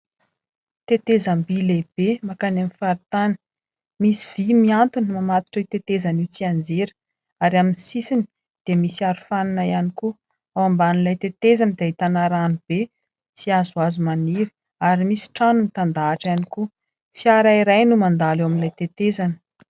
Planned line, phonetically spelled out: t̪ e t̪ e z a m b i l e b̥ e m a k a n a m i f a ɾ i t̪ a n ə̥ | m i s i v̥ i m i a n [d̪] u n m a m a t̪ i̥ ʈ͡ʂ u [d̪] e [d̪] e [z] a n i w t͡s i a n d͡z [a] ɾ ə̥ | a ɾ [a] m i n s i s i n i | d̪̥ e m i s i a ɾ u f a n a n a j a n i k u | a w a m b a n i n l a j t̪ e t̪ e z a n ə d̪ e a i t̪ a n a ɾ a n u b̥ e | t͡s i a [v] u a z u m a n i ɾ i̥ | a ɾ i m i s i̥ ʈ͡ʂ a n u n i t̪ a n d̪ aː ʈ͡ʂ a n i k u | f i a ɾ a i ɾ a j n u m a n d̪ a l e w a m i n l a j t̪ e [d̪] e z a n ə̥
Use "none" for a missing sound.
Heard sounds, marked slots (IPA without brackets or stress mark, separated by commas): t̪, t̪, t̪, z, e, a, z, t̪